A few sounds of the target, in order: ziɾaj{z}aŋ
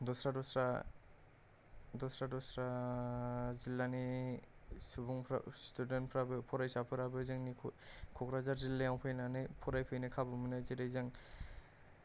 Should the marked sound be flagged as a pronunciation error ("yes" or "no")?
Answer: no